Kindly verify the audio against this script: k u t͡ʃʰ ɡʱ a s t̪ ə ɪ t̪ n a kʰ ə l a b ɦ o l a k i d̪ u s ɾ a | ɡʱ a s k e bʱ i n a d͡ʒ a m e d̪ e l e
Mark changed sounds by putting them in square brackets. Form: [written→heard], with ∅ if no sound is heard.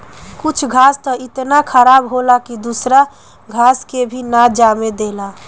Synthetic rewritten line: k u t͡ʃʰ ɡʱ a s t̪ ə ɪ t̪ n a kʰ ə [l→ɾ] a b ɦ o l a k i d̪ u s ɾ a | ɡʱ a s k e bʱ i n a d͡ʒ a m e d̪ e l [e→a]